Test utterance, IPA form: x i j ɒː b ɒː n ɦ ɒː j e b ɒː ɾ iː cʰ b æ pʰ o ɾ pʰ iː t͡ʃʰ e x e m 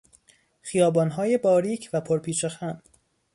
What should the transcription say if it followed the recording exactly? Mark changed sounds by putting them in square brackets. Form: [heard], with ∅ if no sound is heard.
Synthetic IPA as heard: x i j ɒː b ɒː n ɦ ɒː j e b ɒː ɾ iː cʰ [v] æ pʰ o ɾ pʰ iː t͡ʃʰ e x [æ] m